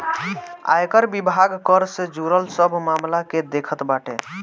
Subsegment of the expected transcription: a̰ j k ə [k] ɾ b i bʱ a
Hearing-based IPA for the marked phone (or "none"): none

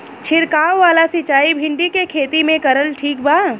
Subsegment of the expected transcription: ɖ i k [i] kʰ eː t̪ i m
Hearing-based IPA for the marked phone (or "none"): e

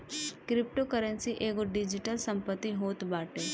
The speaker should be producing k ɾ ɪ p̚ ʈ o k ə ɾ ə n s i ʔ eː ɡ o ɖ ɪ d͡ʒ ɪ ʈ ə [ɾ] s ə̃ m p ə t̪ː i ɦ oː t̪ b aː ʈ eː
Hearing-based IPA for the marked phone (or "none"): l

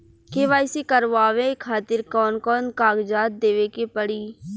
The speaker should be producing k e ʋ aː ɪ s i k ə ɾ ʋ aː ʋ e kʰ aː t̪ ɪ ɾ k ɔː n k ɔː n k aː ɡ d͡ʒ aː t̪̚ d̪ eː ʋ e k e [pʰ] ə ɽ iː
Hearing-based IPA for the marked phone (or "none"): p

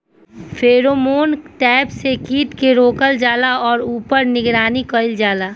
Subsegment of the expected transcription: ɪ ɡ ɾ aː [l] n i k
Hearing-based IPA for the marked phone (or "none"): none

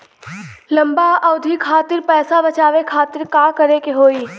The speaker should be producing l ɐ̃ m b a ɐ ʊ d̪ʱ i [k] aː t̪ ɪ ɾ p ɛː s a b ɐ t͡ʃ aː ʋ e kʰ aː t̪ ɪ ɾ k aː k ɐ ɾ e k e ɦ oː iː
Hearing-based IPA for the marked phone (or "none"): kʰ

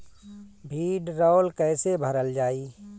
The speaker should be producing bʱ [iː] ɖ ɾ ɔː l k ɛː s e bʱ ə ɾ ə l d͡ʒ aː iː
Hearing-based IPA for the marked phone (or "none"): iː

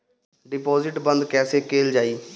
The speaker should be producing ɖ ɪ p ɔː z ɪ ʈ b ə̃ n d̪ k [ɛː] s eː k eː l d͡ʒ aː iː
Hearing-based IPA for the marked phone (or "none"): ɛː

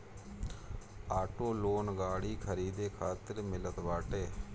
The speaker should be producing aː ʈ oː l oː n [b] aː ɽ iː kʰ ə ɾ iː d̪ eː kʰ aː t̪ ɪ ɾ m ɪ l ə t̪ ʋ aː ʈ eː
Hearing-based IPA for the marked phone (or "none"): ɡ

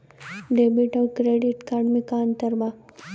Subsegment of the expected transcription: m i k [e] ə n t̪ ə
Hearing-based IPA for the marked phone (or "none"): a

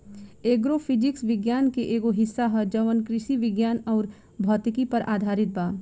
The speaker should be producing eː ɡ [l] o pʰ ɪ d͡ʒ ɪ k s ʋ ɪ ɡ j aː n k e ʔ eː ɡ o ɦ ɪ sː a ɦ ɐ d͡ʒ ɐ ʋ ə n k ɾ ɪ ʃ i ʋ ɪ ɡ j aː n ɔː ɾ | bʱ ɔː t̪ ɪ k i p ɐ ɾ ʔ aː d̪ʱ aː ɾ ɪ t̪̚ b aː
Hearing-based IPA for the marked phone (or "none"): ɾ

